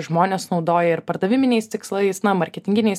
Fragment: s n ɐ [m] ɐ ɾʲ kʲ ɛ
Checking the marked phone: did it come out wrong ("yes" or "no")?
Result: no